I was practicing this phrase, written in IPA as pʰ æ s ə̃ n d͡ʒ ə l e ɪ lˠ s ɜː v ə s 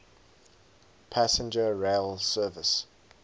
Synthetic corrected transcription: pʰ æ s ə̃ n d͡ʒ ə ɹ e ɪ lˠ s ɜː v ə s